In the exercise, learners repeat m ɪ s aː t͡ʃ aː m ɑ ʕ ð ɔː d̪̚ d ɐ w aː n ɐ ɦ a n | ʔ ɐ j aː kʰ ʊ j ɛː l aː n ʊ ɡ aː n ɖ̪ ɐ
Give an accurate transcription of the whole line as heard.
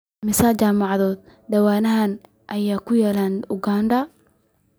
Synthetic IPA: m ɪ s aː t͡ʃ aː m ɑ ʕ ð ɔː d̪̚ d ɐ w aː n ɐ ɦ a n | ʔ ɐ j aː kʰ ʊ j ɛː l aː n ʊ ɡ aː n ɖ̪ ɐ

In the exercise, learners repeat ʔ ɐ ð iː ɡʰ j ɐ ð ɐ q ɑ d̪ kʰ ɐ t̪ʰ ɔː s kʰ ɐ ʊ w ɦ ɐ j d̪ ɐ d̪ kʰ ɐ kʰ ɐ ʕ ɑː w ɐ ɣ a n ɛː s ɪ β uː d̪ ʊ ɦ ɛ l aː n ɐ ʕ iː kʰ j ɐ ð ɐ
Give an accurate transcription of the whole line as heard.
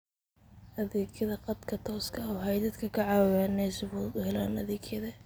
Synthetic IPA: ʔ ɐ ð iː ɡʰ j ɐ ð ɐ q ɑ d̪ kʰ ɐ t̪ʰ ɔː s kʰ ɐ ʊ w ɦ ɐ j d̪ ɐ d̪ kʰ ɐ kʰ ɐ ʕ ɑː w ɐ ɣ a n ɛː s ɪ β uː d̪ ʊ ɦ ɛ l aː n ɐ ð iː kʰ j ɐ ð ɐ

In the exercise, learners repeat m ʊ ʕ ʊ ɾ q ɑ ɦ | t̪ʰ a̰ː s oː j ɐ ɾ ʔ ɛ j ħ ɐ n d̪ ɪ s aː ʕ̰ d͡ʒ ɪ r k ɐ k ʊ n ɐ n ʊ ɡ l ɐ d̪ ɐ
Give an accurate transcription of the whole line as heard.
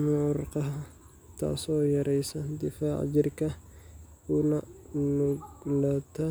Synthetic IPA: m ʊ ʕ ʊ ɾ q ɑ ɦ | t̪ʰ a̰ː s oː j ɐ ɾ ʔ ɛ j s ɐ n d̪ ɪ f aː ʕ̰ d͡ʒ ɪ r k ɐ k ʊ n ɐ n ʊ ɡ l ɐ t̪ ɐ

